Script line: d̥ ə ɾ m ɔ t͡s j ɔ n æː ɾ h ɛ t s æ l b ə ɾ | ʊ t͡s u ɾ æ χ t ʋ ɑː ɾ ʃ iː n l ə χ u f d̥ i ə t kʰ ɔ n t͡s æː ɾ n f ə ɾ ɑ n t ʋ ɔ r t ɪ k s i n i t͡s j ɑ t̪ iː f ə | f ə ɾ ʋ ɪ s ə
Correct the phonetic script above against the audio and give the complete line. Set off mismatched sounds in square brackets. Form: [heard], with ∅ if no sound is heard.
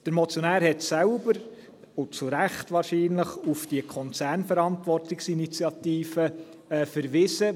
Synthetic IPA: d̥ ə ɾ m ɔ t͡s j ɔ n æː ɾ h ɛ t s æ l b ə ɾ | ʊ t͡s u ɾ æ χ t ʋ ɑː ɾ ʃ iː n l ə χ u f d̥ i ə [∅] kʰ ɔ n t͡s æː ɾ n f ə ɾ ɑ n t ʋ ɔ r t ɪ k s i n i t͡s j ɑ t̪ iː f ə | f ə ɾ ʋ ɪ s ə